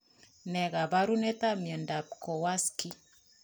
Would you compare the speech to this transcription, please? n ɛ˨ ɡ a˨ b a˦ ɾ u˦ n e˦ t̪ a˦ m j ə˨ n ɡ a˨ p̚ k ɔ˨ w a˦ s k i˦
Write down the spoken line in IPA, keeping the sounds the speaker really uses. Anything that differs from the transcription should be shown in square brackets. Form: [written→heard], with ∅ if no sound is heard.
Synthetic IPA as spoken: n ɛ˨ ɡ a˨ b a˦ ɾ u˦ n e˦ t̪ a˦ m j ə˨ n [ɡ→d] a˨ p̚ k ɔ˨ w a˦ s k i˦